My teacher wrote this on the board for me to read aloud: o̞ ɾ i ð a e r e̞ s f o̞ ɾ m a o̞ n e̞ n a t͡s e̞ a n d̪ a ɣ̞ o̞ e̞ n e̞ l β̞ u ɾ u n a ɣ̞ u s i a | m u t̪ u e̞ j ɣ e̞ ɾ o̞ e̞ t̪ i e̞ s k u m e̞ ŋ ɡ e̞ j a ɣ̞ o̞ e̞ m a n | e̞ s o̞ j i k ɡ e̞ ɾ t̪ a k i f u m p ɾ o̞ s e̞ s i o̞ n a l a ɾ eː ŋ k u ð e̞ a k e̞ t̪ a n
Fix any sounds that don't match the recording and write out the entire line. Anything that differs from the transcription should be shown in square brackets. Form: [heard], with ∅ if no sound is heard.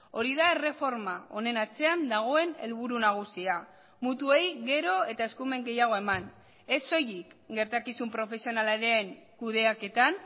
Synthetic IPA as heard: o̞ ɾ i ð a e r e̞ [∅] f o̞ ɾ m a o̞ n e̞ n a t͡s e̞ a n d̪ a ɣ̞ o̞ e̞ n e̞ l β̞ u ɾ u n a ɣ̞ u s i a | m u t̪ u e̞ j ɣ e̞ ɾ o̞ e̞ t̪ [a] e̞ s k u m e̞ ŋ ɡ e̞ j a ɣ̞ o̞ e̞ m a n | e̞ s o̞ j i k ɡ e̞ ɾ t̪ a k i [s] u m p ɾ o̞ [f] e̞ s i o̞ n a l a ɾ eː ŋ k u ð e̞ a k e̞ t̪ a n

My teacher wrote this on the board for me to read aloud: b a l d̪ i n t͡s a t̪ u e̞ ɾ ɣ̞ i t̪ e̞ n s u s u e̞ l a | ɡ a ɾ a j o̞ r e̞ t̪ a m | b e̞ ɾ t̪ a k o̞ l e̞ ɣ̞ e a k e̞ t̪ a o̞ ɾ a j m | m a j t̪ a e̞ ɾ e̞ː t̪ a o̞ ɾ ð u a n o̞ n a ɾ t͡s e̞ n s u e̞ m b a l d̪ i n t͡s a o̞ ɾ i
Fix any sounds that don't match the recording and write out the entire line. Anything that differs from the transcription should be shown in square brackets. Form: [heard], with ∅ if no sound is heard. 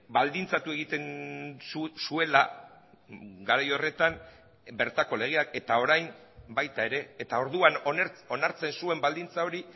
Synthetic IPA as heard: b a l d̪ i n t͡s a t̪ u e̞ [∅] ɣ̞ i t̪ e̞ n s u s u e̞ l a | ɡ a ɾ a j o̞ r e̞ t̪ a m | b e̞ ɾ t̪ a k o̞ l e̞ ɣ̞ e a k e̞ t̪ a o̞ ɾ a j m | [b] a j t̪ a e̞ ɾ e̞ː t̪ a o̞ ɾ ð u a n o̞ n a ɾ t͡s e̞ n s u e̞ m b a l d̪ i n t͡s a o̞ ɾ i

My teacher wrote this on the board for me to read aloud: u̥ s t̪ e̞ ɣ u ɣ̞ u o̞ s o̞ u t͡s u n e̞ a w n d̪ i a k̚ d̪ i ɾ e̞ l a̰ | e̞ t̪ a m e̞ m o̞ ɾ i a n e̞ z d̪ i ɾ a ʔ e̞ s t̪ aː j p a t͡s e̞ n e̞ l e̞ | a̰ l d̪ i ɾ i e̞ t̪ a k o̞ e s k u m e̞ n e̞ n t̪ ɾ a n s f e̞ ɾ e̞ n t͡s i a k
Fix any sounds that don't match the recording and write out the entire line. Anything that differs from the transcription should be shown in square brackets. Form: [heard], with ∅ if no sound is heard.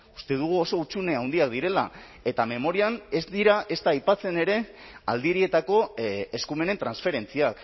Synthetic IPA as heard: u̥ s t̪ e̞ [ð] u ɣ̞ u o̞ s o̞ u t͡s u n e̞ a w n d̪ i a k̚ d̪ i ɾ e̞ l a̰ | e̞ t̪ a m e̞ m o̞ ɾ i a n e̞ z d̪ i ɾ a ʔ e̞ s t̪ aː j p a t͡s e̞ n e̞ [ɾ] e̞ | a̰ l d̪ i ɾ i e̞ t̪ a k o̞ e s k u m e̞ n e̞ n t̪ ɾ a n s f e̞ ɾ e̞ n t͡s i a k

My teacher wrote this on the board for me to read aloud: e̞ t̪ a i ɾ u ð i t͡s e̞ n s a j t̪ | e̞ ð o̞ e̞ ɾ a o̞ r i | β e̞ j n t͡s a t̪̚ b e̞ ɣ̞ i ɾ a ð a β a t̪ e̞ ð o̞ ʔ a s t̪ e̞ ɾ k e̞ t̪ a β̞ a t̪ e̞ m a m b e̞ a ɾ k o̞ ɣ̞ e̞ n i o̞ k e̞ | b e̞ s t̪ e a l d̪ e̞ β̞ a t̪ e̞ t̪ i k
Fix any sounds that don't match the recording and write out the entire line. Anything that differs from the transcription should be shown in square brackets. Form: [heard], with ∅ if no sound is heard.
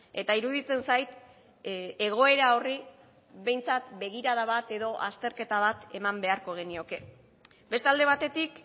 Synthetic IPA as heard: e̞ t̪ a i ɾ u ð i t͡s e̞ n s a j t̪ | e̞ [ɣ] o̞ e̞ ɾ a o̞ r i | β e̞ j n t͡s a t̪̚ b e̞ ɣ̞ i ɾ a ð a β a t̪ e̞ ð o̞ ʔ a s t̪ e̞ ɾ k e̞ t̪ a β̞ a t̪ e̞ m a m b e̞ a ɾ k o̞ ɣ̞ e̞ n i o̞ k e̞ | b e̞ s t̪ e a l d̪ e̞ β̞ a t̪ e̞ t̪ i k

